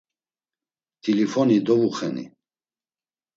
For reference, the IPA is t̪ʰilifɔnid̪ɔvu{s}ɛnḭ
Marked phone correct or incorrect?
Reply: incorrect